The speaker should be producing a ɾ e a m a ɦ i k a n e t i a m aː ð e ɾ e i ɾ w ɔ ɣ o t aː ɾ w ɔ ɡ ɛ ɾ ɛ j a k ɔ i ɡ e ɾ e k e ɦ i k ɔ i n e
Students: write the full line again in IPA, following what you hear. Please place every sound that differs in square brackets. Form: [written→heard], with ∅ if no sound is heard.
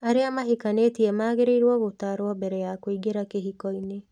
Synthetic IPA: a ɾ e a m a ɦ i k a n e t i [a→ɛ] m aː [ð→ɣ] e ɾ e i ɾ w ɔ ɣ o t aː ɾ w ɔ [ɡ→b] ɛ ɾ ɛ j a k [ɔ→o] i ɡ e ɾ [e→a] k e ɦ i k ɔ i n e